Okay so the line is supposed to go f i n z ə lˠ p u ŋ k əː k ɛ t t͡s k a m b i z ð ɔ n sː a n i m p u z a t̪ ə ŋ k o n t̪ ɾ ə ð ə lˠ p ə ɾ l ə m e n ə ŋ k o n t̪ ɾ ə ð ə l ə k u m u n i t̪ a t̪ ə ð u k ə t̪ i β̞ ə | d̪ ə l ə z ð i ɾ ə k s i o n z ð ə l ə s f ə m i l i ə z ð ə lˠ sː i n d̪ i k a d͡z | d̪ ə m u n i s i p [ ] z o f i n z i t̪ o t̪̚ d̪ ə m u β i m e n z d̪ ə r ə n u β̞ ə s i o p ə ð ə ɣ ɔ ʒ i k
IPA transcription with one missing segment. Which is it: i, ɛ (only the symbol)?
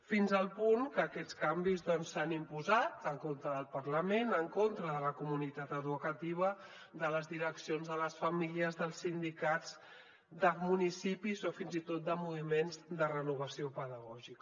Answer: i